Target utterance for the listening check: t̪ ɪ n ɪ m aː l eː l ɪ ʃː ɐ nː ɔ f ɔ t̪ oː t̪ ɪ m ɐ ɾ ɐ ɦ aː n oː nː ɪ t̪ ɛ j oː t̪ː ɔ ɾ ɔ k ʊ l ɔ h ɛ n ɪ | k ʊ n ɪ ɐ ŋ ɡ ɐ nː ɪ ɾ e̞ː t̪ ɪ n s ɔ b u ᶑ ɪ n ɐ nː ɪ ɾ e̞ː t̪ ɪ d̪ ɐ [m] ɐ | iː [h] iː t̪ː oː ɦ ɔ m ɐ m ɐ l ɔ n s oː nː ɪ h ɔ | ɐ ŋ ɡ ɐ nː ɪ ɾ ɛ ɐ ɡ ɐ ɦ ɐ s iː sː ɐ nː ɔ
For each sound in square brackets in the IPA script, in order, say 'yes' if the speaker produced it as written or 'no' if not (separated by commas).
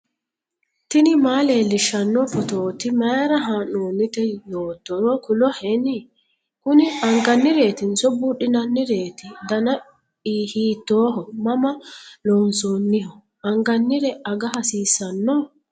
no, yes